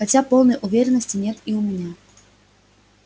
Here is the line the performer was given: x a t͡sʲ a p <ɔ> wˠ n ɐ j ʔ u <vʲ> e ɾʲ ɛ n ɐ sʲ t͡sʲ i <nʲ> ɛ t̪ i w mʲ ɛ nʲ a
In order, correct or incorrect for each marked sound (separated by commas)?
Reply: correct, correct, correct